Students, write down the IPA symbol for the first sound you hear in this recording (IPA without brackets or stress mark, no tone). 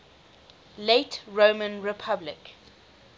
l